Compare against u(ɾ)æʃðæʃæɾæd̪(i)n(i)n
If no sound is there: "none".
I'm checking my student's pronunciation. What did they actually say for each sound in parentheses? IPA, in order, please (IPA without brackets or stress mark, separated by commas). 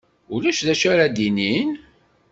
l, i, i